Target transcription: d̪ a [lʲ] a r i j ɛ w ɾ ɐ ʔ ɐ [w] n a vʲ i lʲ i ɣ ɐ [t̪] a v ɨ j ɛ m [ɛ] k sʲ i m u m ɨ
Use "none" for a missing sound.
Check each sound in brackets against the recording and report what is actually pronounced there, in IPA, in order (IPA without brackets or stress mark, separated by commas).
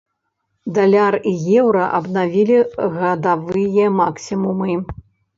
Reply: lʲ, b, d̪, a